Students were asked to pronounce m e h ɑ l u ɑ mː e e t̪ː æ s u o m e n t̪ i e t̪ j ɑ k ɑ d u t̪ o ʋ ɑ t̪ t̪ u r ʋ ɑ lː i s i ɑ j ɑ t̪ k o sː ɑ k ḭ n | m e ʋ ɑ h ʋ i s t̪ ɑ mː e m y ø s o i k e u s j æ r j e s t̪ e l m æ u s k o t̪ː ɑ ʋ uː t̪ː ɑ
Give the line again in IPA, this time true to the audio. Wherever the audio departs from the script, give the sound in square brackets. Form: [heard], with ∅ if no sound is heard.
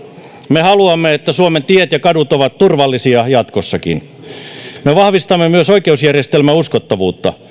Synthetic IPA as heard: m e h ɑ l u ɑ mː e e t̪ː æ s u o m e n t̪ i e t̪ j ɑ k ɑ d u t̪ o ʋ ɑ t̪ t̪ u r ʋ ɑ lː i s i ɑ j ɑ t̪ k o sː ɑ k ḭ n | m e ʋ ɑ h ʋ i s t̪ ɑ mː e m y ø s o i k e u s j æ r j e s t̪ e l m æ u s k o t̪ː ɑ ʋ uː t̪ː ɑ